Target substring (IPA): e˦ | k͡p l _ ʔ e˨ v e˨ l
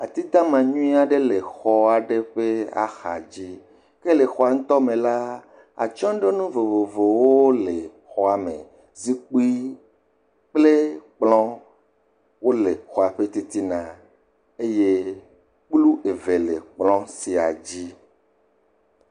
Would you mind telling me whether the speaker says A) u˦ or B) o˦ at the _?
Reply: A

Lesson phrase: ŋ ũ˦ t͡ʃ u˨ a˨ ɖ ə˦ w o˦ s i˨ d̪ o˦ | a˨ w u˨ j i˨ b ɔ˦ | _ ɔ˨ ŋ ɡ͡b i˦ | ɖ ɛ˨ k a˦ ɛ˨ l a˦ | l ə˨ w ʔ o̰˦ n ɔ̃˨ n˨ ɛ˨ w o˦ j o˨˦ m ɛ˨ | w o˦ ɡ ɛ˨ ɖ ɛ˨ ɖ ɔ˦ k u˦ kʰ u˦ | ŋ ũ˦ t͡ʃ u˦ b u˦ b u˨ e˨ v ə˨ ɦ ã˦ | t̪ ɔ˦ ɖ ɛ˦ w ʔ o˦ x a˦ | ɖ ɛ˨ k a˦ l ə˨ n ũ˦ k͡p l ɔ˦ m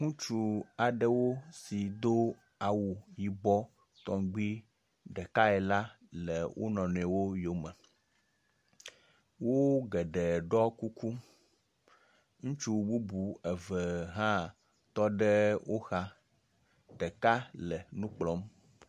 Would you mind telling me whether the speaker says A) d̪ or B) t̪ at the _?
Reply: B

